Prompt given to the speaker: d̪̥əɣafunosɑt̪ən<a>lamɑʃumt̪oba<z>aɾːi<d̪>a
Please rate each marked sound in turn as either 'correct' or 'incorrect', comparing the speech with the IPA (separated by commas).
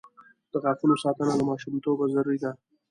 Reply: correct, correct, correct